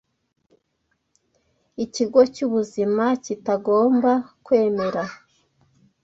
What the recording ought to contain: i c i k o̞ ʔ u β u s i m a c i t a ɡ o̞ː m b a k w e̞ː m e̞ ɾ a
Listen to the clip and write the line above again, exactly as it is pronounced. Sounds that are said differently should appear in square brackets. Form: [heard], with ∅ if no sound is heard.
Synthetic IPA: i c i [ɡ] o̞ [c] u β u [z] i m a c i t a ɡ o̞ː m b a k w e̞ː m e̞ ɾ a